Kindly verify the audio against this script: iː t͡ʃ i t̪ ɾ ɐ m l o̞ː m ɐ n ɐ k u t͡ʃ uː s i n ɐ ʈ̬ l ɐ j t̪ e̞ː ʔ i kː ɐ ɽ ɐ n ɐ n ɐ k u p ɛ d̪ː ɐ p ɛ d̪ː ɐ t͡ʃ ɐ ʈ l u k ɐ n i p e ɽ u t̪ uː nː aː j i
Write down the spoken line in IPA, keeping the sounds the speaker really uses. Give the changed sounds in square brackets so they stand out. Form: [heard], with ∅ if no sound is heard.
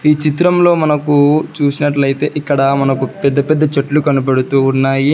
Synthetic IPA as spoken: iː t͡ʃ i t̪ ɾ ɐ m l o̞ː m ɐ n ɐ k u t͡ʃ uː s i n ɐ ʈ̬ l ɐ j t̪ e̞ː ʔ i kː ɐ ɽ ɐ [m] ɐ n ɐ k u p ɛ d̪ː ɐ p ɛ d̪ː ɐ t͡ʃ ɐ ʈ l u k ɐ n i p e ɽ u t̪ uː nː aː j i